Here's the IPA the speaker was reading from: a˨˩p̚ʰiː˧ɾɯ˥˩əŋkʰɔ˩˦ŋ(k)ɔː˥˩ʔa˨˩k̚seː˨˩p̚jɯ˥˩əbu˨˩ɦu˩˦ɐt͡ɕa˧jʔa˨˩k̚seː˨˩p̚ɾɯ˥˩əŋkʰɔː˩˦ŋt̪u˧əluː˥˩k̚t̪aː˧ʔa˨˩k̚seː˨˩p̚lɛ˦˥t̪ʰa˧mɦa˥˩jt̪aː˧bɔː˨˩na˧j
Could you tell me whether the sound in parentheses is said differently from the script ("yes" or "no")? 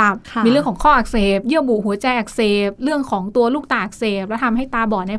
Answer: yes